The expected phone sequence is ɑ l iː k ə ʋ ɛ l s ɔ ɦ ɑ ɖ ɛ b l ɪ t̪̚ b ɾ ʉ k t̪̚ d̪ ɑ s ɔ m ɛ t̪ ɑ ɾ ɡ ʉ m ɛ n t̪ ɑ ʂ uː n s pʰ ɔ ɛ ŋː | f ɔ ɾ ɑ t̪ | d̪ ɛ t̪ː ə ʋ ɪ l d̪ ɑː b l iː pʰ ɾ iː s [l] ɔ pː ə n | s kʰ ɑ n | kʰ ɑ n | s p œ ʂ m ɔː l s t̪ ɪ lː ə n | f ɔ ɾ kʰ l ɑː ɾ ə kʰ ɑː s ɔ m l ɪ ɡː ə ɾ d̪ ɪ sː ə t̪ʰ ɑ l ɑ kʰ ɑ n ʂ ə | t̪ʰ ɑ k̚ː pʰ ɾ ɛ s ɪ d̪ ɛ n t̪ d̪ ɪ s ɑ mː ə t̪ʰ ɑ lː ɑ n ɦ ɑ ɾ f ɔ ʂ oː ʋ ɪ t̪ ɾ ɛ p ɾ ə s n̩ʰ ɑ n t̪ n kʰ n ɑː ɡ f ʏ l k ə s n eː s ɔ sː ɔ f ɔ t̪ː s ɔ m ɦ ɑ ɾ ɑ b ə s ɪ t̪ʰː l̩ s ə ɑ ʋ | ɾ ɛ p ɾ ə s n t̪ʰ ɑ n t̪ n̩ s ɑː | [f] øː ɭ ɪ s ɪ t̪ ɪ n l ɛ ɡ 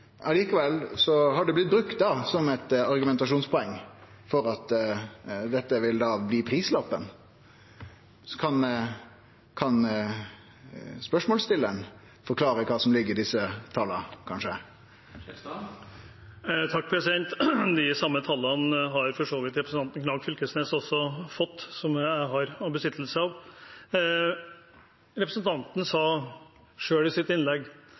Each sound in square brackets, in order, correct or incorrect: correct, incorrect

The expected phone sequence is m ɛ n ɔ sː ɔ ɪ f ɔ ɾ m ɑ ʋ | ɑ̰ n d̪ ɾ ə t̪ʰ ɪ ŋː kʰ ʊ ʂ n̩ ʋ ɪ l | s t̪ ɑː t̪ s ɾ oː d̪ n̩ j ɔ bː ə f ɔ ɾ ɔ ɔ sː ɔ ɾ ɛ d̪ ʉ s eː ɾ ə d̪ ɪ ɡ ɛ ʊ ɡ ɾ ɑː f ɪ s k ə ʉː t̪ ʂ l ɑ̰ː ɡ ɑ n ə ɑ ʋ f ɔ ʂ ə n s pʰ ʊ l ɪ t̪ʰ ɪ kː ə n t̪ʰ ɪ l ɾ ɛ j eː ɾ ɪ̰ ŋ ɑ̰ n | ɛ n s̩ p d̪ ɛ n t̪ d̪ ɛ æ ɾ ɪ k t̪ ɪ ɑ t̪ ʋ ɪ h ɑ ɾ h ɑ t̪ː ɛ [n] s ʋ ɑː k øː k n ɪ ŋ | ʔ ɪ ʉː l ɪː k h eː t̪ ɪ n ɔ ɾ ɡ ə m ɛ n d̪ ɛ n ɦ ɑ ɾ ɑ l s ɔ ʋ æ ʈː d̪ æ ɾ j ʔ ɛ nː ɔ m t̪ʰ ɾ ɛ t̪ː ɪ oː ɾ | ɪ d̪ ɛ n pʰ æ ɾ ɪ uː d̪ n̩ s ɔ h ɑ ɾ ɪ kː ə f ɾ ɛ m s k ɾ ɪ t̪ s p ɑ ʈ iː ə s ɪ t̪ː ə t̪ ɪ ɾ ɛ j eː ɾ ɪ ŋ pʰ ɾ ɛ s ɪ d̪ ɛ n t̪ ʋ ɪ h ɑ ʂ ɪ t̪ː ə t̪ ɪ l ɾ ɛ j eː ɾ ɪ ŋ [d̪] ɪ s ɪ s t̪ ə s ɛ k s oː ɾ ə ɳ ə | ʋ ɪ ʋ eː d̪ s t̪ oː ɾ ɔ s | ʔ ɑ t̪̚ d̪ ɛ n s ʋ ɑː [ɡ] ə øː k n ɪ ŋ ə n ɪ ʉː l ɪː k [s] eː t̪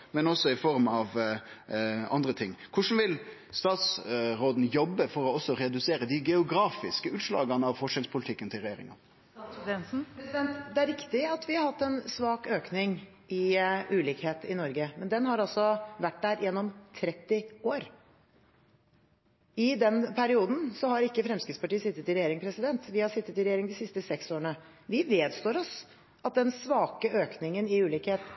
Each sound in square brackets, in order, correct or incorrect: correct, correct, incorrect, incorrect

